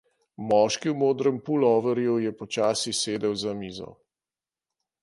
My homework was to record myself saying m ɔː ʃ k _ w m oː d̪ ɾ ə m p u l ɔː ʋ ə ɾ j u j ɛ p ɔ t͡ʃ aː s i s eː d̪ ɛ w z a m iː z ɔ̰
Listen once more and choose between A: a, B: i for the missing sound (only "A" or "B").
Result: B